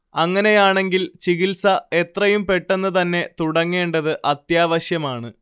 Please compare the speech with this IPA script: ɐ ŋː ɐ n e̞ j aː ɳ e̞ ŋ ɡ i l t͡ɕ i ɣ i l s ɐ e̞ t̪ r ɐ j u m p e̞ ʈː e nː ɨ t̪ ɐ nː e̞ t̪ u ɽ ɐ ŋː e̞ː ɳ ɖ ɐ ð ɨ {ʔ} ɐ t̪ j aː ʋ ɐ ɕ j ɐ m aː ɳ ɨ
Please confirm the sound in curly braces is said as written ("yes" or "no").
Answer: yes